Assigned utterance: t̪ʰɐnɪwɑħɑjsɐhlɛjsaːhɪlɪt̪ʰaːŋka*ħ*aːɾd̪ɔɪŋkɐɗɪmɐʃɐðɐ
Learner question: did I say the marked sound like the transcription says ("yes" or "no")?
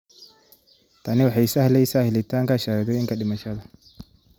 no